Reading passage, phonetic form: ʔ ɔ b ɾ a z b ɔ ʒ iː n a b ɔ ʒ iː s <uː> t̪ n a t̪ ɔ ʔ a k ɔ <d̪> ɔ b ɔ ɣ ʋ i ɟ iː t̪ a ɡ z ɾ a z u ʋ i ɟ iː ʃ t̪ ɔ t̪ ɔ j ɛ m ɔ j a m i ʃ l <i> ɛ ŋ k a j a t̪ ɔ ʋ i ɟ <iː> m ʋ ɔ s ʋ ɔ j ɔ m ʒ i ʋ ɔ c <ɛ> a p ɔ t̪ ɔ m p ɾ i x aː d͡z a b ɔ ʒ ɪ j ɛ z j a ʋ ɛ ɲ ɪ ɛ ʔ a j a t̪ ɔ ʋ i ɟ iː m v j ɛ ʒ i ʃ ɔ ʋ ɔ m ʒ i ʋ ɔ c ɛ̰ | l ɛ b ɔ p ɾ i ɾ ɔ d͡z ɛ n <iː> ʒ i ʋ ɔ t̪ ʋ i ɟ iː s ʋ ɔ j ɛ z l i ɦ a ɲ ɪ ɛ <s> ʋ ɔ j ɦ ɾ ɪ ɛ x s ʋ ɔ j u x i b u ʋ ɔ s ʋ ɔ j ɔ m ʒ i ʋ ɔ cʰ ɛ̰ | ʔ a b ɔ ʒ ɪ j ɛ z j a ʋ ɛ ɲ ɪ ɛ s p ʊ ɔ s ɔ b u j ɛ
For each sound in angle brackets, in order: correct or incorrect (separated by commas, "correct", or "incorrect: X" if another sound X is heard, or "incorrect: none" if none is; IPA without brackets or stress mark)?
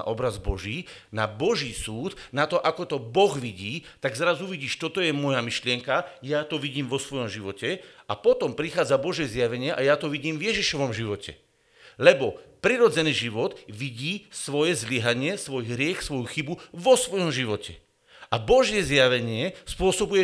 correct, incorrect: t̪, incorrect: ɪ, correct, correct, correct, correct